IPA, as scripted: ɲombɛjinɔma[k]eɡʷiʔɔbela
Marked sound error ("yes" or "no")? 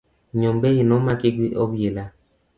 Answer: no